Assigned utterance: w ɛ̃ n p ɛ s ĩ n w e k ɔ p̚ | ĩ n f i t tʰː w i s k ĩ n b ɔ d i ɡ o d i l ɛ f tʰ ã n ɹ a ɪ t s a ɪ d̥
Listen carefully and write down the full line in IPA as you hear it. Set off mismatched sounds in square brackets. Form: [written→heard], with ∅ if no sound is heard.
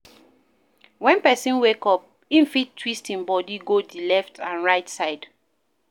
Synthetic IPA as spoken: w ɛ̃ n p ɛ s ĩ n w e k ɔ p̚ | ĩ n f i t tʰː w i s [k→t] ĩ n b ɔ d i ɡ o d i l ɛ f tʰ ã n ɹ a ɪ t s a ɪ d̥